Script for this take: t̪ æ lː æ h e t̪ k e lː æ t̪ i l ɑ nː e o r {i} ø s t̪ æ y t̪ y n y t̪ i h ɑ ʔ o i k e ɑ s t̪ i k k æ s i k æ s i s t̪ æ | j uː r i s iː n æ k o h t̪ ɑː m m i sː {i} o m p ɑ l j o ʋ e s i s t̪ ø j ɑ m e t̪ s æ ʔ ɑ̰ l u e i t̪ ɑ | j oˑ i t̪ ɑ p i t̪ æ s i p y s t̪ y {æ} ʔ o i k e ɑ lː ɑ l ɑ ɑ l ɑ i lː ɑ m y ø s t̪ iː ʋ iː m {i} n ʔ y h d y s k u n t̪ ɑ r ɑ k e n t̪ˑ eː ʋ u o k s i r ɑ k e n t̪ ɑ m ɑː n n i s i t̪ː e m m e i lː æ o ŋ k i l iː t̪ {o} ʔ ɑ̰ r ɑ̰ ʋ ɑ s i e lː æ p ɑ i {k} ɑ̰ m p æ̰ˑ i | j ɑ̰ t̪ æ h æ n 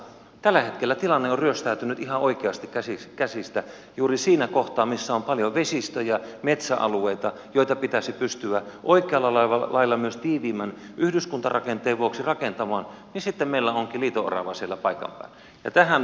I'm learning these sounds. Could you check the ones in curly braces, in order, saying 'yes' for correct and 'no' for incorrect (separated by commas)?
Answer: no, no, yes, no, yes, yes